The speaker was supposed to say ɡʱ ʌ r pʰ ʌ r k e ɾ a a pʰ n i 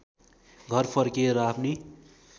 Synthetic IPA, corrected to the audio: ɡʱ ʌ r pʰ ʌ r k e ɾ ʌ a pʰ n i